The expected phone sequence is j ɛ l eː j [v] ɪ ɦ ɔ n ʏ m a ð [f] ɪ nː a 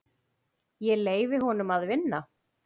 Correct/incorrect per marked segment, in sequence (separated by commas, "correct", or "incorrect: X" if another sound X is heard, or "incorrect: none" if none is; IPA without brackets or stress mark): correct, incorrect: v